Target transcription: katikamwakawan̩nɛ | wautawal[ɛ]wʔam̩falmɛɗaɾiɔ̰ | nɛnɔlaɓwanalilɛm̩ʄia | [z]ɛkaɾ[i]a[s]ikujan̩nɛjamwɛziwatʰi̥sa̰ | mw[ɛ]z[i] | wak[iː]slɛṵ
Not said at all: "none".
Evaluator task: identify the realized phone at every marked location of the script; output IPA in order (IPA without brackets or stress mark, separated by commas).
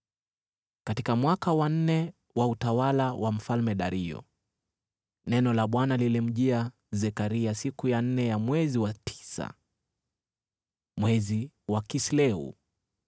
a, z, i, s, ɛ, i, i